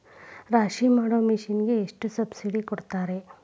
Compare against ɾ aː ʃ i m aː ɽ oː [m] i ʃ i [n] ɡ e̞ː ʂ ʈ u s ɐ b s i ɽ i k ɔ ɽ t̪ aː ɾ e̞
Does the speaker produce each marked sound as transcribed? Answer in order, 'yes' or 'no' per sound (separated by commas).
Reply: yes, yes